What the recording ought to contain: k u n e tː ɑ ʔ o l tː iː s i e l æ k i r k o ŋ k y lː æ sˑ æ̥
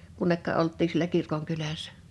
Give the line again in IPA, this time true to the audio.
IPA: k u nː e kː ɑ ʔ o l tː iː s i e l æ k i r k o ŋ k y l æ sˑ æ̥